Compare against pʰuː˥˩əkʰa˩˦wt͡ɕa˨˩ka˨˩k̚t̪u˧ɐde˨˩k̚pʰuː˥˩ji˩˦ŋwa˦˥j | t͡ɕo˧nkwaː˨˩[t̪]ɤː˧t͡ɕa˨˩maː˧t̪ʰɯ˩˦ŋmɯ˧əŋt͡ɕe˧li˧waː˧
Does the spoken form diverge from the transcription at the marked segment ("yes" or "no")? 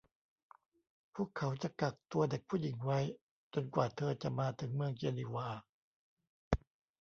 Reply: yes